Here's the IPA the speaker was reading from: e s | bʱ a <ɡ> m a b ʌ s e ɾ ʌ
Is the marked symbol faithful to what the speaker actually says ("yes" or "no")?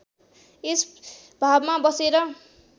no